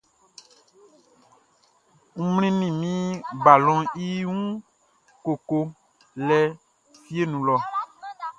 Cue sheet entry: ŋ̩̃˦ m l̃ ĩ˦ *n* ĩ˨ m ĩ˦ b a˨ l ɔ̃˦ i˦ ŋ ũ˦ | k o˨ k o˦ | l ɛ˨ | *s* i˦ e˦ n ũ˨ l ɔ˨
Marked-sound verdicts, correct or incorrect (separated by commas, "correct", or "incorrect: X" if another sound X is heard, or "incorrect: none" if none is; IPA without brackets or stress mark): correct, incorrect: f